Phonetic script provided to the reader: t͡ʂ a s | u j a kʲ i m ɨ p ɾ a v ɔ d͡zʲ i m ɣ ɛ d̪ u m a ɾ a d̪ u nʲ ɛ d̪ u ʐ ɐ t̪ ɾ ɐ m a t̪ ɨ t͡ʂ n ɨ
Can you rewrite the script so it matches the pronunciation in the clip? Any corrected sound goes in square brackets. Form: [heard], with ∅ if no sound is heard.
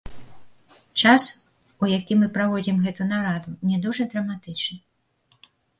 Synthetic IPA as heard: t͡ʂ a s | u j a kʲ i m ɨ p ɾ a v ɔ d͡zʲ i m ɣ ɛ [t̪] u [n] a ɾ a d̪ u nʲ ɛ d̪ u ʐ ɐ [d̪] ɾ ɐ m a t̪ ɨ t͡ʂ n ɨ